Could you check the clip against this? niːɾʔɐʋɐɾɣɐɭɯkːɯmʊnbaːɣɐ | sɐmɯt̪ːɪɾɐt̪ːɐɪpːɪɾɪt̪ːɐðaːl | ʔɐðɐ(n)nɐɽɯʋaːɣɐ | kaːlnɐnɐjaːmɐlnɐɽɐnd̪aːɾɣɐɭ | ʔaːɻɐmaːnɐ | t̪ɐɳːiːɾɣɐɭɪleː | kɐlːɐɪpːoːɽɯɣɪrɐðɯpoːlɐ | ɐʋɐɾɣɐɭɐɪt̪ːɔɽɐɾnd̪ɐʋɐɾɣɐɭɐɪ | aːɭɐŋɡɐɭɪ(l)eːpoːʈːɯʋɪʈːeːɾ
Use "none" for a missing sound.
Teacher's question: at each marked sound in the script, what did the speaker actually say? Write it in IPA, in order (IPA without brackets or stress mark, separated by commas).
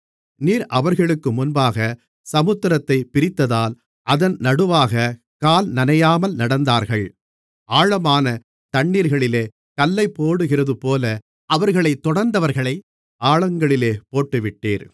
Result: n, l